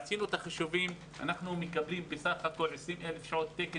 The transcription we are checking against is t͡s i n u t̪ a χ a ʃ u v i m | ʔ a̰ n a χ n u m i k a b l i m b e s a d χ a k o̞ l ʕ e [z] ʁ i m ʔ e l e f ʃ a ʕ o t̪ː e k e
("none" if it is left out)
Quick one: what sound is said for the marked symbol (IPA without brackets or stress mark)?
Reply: s